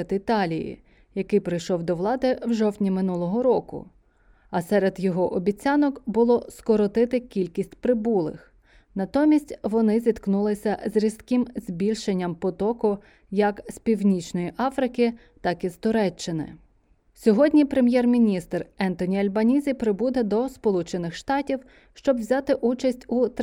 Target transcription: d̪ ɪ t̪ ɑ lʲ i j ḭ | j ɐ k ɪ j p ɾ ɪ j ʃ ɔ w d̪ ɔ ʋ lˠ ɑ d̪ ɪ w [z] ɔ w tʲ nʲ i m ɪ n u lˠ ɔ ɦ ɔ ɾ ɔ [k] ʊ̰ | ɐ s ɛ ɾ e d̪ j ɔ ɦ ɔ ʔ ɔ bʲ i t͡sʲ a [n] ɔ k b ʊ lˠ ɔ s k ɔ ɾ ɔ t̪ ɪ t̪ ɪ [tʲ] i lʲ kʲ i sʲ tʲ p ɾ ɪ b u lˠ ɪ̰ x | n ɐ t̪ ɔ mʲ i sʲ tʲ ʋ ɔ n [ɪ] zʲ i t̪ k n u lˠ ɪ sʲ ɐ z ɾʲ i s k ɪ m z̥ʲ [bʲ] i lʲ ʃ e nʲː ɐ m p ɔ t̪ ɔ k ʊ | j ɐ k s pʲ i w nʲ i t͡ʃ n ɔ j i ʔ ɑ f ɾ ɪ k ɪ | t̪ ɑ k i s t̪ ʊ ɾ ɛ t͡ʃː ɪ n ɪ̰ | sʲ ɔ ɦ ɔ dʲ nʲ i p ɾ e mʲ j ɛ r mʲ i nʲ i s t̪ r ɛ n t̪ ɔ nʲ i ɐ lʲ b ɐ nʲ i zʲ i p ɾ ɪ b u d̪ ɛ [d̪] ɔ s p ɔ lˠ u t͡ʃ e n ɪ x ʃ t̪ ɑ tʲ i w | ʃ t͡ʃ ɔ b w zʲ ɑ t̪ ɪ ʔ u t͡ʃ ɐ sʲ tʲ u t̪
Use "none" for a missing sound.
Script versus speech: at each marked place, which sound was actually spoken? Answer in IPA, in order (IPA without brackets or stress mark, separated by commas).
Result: ʒ, k, n, kʲ, ɪ, bʲ, d̪